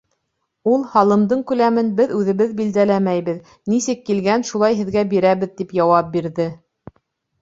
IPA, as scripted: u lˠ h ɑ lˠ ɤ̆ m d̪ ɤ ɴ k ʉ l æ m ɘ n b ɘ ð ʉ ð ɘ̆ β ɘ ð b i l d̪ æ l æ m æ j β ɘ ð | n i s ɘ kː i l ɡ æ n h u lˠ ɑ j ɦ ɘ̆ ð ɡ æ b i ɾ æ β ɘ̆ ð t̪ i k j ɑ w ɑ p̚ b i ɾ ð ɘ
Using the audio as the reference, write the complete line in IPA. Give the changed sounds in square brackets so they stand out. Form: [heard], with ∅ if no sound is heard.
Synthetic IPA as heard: u lˠ h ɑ lˠ ɤ̆ m d̪ ɤ ɴ k ʉ l æ m ɘ n b ɘ ð ʉ ð ɘ̆ β ɘ ð b i l d̪ æ l æ m æ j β ɘ ð | n i s ɘ kː i l ɡ æ n [ʃ] u lˠ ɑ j ɦ ɘ̆ ð ɡ æ b i ɾ æ β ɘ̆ ð t̪ i [p] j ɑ w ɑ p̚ b i ɾ ð ɘ